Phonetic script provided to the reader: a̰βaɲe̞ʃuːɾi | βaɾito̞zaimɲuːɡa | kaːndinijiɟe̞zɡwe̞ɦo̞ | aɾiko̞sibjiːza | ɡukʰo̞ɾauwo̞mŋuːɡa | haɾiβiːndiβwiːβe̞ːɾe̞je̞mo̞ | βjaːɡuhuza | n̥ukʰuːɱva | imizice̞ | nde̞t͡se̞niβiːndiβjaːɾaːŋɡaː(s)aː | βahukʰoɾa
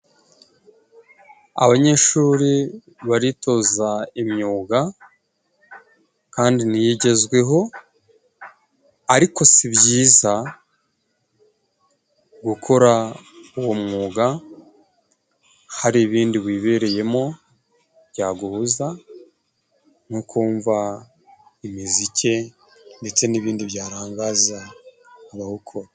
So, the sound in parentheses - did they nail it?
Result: no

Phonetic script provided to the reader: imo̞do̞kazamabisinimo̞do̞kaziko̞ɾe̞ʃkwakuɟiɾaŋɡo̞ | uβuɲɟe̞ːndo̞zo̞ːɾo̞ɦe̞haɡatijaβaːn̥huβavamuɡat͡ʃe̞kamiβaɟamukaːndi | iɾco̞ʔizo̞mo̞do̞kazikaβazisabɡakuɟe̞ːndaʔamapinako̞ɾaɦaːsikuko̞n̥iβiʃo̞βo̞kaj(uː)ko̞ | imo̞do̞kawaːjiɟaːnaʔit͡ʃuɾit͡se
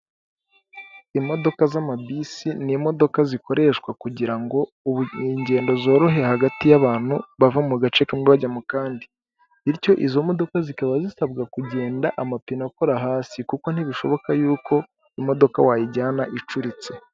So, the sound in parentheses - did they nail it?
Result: yes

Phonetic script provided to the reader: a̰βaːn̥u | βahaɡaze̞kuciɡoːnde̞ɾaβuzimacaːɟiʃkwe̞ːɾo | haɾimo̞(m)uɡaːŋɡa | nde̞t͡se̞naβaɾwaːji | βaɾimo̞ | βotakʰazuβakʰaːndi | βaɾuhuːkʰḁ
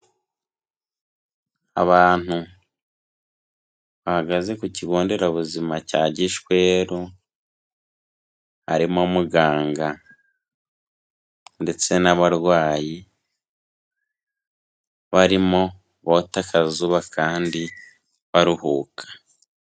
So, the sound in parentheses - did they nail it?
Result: yes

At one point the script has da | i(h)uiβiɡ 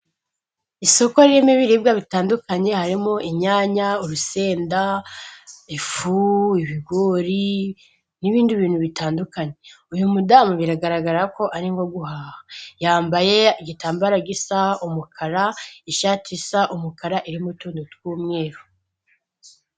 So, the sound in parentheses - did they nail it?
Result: no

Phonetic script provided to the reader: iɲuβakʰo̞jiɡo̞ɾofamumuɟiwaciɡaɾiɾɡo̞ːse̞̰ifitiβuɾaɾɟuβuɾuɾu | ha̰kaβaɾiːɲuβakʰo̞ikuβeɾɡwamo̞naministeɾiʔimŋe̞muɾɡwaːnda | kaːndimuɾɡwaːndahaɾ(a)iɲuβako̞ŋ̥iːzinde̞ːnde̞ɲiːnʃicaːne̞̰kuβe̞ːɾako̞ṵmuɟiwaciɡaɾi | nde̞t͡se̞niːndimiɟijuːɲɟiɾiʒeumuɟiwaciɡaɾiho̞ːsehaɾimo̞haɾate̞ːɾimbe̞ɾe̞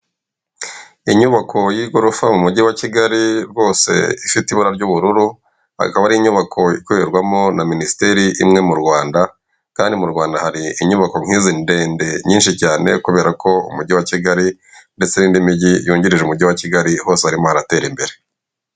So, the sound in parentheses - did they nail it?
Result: no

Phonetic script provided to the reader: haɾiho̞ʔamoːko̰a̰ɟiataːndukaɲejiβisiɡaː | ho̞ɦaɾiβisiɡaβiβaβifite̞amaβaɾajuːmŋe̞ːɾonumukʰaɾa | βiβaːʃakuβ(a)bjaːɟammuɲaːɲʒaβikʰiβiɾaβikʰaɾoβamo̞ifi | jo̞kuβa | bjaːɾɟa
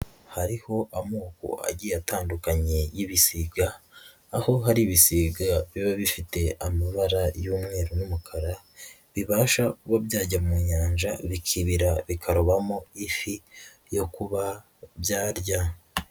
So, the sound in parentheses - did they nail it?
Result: yes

